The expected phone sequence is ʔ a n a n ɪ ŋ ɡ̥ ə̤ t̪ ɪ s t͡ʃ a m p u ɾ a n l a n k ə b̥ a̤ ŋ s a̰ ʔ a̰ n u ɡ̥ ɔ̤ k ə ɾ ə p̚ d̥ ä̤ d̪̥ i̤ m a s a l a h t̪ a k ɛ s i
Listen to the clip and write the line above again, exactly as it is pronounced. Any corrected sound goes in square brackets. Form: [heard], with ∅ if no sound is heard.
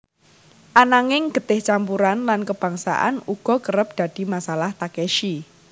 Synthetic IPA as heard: ʔ a n a [ŋ] ɪ ŋ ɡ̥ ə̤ t̪ ɪ [h] t͡ʃ a m p u ɾ a n l a n k ə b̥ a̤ ŋ s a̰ ʔ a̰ n u ɡ̥ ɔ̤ k ə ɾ ə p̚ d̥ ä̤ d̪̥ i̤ m a s a l a h t̪ a k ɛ [ʃ] i

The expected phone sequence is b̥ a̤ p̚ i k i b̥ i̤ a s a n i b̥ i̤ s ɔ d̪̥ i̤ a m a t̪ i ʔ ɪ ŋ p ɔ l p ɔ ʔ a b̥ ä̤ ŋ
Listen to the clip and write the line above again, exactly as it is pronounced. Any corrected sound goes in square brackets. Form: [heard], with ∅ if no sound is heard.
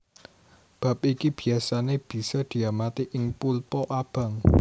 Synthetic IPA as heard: b̥ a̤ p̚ i k i b̥ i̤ a s a n [e] b̥ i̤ s ɔ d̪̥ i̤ a m a t̪ i ʔ ɪ ŋ p [u] l p ɔ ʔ a b̥ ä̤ ŋ

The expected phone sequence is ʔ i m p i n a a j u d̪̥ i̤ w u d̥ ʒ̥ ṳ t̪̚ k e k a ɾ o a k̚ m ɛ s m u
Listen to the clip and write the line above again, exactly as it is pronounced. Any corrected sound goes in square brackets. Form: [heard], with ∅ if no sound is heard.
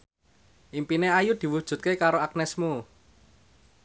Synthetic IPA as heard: ʔ i m p i n [e] a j u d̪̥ i̤ w u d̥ ʒ̥ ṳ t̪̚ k e k a ɾ o a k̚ [n] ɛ s m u

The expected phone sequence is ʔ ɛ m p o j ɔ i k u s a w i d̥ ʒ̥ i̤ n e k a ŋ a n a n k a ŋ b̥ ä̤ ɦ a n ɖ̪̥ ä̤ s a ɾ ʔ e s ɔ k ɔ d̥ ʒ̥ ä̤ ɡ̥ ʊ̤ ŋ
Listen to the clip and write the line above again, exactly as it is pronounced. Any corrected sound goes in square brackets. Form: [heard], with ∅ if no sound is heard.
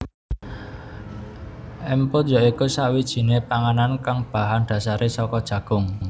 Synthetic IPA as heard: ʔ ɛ m p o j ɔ i k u s a w i d̥ ʒ̥ i̤ n e [p] a ŋ a n a n k a ŋ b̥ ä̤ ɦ a n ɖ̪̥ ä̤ s a ɾ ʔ e s ɔ k ɔ d̥ ʒ̥ ä̤ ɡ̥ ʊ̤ ŋ

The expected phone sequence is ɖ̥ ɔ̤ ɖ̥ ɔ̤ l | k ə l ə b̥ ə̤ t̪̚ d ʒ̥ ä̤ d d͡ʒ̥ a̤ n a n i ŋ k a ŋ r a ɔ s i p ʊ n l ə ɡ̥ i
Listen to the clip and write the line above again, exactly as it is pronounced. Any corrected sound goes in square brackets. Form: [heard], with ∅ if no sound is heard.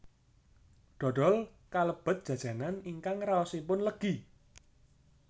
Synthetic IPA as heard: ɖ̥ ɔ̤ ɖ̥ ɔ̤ l | k [a] l ə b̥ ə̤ t̪̚ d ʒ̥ ä̤ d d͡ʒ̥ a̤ n a n i ŋ k a ŋ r a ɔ s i p ʊ n l ə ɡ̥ i

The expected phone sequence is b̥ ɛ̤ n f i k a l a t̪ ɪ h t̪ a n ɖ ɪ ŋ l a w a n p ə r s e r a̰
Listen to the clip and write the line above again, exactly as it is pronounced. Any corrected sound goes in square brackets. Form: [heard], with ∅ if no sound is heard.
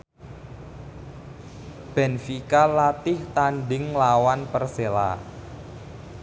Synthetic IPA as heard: b̥ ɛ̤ n f i k a l a t̪ ɪ h t̪ a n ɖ ɪ ŋ l a w a n p ə r s e [l] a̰

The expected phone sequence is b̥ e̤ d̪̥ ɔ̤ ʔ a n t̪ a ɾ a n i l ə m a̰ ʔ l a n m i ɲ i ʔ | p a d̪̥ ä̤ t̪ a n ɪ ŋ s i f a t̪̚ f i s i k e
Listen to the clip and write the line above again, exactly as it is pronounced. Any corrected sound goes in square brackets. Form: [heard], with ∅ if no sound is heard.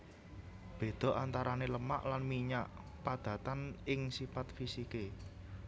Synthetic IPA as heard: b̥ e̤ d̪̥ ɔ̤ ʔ a n t̪ a ɾ a n [e] l ə m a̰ ʔ l a n m i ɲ [a] ʔ | p a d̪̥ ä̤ t̪ a n ɪ ŋ s i f a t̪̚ f i s i k e

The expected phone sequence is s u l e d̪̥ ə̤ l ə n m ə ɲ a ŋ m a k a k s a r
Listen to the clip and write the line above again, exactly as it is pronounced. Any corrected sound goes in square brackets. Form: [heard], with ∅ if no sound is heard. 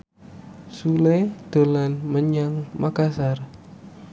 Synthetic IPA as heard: s u l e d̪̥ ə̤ l [a] n m ə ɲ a ŋ m a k a [∅] s a r

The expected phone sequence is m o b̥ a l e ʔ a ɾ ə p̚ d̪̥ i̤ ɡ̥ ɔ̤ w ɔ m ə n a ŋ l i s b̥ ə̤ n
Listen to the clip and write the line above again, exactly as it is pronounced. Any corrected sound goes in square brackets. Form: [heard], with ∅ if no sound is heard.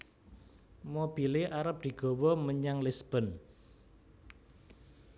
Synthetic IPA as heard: m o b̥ [i] l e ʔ a ɾ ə p̚ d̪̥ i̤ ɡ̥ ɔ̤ w ɔ m ə [ɲ] a ŋ l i s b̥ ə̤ n

